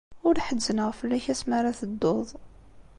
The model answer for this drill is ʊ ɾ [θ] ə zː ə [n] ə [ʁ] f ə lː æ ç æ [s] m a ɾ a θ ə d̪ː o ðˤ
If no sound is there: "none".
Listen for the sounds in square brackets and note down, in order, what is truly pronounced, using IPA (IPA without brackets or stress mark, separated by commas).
ħ, n, ʁ, s